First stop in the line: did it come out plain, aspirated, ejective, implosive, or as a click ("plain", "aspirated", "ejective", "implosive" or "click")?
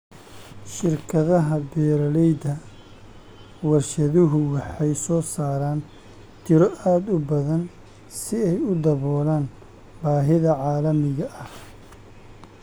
aspirated